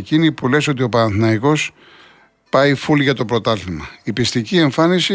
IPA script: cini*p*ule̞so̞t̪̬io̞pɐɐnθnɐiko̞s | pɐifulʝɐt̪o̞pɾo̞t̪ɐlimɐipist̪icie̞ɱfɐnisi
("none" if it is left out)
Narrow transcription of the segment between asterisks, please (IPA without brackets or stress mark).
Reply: p